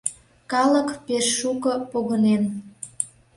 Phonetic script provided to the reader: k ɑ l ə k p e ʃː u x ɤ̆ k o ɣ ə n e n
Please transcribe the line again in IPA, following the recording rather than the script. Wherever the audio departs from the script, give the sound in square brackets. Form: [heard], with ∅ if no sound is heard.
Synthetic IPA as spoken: k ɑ l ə k p e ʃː u [k] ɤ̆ [p] o ɣ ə n e n